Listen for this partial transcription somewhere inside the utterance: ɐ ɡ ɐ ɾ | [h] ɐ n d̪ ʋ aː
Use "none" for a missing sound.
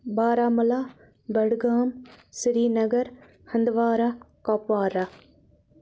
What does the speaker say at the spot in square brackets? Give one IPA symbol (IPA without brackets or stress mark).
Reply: h